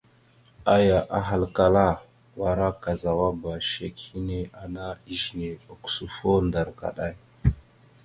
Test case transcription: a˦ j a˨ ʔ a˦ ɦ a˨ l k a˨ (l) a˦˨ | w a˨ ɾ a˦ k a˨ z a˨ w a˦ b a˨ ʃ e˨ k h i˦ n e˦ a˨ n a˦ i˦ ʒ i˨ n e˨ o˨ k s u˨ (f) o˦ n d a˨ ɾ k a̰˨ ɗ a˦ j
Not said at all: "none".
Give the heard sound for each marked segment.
l, f

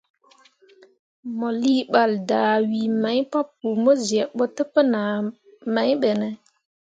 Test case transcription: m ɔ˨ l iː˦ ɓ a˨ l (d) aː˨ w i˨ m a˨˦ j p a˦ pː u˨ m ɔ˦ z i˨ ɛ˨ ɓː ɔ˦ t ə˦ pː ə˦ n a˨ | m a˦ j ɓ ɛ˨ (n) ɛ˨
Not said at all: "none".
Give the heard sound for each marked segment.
d, n

